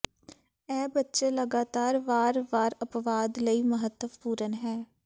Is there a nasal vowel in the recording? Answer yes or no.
no